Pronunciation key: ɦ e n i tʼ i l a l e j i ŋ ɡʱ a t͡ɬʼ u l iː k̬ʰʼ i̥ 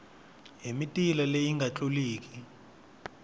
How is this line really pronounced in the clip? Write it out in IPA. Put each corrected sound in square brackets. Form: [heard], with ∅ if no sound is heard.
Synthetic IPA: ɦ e [m] i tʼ i l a l e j i ŋ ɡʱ a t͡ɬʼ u l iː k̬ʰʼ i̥